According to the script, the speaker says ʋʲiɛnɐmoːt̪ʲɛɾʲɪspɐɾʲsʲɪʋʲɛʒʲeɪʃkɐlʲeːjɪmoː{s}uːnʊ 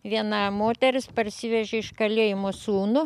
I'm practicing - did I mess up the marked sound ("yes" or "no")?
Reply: no